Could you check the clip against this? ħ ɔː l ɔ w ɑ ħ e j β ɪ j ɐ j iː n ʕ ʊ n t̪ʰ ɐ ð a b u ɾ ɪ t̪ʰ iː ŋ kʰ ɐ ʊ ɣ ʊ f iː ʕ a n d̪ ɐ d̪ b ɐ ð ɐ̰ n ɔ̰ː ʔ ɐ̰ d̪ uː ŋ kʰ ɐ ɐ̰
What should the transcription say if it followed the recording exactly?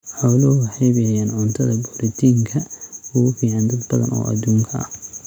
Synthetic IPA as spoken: ħ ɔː l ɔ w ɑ ħ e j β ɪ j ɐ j aː n ʕ ʊ n t̪ʰ ɐ ð ɐ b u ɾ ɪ t̪ʰ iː ŋ kʰ ɐ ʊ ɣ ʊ f iː ʕ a n d̪ ɐ d̪ b ɐ ð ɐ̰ n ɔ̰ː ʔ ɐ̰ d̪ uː ŋ kʰ ɐ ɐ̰